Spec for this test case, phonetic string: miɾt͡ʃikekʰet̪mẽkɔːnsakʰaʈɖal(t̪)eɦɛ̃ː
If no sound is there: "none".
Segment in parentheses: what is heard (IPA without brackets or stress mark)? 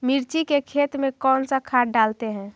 t̪